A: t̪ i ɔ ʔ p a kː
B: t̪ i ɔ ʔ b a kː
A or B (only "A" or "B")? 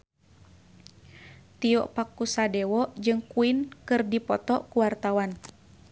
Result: A